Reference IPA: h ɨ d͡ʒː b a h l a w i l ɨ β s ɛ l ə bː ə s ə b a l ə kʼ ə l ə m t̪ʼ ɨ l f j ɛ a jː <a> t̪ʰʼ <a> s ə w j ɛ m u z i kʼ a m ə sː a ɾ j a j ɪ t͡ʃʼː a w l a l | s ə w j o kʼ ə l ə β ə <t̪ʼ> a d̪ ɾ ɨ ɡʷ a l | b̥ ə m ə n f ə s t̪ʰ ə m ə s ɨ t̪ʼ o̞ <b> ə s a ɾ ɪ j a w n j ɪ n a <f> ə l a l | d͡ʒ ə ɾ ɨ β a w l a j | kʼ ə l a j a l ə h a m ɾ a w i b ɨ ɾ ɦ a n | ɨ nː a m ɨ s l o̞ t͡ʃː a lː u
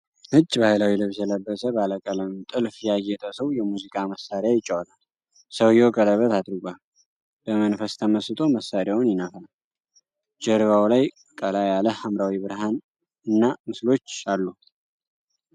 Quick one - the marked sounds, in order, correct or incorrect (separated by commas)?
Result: incorrect, incorrect, incorrect, incorrect, correct